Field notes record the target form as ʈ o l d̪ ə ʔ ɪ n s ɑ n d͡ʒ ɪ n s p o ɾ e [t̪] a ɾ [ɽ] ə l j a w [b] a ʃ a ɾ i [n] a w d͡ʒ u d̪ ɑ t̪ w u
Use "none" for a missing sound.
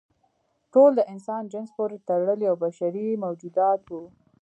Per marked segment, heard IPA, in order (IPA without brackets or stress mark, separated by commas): t̪, ɽ, b, m